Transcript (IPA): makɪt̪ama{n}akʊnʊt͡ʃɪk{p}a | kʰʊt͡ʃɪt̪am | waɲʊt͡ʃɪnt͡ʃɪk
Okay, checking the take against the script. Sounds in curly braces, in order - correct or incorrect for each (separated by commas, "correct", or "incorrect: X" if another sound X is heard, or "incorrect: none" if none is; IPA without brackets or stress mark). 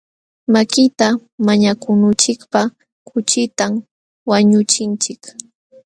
incorrect: ɲ, correct